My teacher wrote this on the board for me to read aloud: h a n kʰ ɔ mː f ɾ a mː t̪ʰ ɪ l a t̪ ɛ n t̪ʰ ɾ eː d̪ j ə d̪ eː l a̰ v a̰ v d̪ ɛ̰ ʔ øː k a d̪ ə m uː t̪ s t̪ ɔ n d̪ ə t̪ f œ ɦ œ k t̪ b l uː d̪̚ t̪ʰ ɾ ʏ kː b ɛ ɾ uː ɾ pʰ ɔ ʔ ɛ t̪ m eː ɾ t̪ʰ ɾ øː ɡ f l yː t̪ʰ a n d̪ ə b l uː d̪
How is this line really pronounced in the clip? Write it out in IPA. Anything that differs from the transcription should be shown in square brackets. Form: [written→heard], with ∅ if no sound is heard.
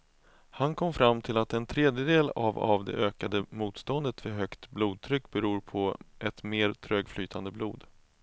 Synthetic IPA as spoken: h a n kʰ ɔ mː f ɾ a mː t̪ʰ ɪ l a t̪ ɛ n t̪ʰ ɾ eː d̪ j ə d̪ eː l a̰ v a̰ v d̪ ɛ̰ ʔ øː k a d̪ ə m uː t̪ s t̪ ɔ n d̪ ə t̪ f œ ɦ œ k t̪ b l uː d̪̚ t̪ʰ ɾ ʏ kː b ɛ ɾ uː ɾ pʰ ɔ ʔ ɛ t̪ m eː ɾ t̪ʰ ɾ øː ɡ f l yː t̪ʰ a n d̪ ə b l uː d̪

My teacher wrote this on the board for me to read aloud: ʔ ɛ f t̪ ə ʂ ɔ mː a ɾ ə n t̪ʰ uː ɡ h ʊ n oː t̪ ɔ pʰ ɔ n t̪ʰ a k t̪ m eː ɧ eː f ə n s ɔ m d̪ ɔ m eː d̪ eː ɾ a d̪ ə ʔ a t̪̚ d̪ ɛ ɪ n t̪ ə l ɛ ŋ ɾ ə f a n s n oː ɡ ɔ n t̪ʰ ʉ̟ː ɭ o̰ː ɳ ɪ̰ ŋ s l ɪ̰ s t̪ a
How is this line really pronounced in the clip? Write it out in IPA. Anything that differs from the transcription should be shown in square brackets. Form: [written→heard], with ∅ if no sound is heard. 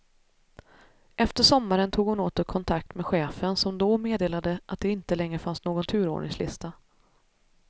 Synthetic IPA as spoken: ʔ ɛ f t̪ ə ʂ ɔ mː a ɾ ə n t̪ʰ uː ɡ h ʊ n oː t̪ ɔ [pʰ→kʰ] ɔ n t̪ʰ a k t̪ m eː ɧ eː f ə n s ɔ m d̪ ɔ m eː d̪ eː [ɾ→l] a d̪ ə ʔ a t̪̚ d̪ ɛ ɪ n t̪ ə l ɛ ŋ ɾ ə f a n s n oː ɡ ɔ n t̪ʰ ʉ̟ː [ɭ→ɾ] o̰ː ɳ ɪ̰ ŋ s l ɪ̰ s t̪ a

